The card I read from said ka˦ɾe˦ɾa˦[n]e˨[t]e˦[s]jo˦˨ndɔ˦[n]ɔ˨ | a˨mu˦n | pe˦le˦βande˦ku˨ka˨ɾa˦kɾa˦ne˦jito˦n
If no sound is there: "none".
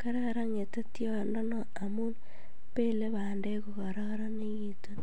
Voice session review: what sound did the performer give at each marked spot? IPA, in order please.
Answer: ŋ, t, t, n

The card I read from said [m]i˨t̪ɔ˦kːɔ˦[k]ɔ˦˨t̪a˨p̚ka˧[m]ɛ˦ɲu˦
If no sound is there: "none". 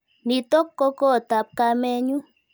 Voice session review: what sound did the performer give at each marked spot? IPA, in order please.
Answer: n, k, m

